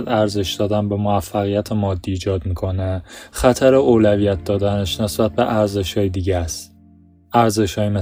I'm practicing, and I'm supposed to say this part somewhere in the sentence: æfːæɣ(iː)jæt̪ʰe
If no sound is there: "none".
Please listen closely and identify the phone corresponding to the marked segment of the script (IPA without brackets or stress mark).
i